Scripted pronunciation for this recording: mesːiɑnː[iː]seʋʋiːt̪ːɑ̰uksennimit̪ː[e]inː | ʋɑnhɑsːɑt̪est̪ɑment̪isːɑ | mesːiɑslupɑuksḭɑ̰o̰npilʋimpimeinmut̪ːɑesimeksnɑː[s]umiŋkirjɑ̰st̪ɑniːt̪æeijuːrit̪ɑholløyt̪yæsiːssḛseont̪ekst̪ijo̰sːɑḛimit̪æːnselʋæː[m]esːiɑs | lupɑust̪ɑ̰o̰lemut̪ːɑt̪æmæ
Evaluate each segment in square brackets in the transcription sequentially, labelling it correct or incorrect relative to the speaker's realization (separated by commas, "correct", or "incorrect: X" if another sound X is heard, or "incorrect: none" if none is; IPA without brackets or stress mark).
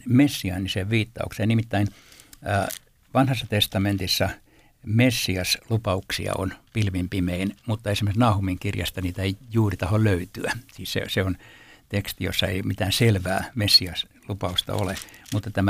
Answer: incorrect: i, incorrect: æ, incorrect: h, correct